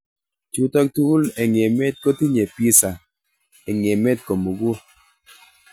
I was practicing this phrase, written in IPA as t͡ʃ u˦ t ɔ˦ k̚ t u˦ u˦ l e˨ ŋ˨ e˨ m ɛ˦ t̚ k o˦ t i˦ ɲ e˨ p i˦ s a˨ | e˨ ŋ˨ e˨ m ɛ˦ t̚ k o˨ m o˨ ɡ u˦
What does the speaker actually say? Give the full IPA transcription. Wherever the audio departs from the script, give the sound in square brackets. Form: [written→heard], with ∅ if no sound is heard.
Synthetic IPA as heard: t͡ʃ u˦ t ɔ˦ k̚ t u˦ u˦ l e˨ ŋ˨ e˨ m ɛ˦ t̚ k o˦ t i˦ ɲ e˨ p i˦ s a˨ | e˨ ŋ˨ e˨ m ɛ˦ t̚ k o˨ m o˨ ɡ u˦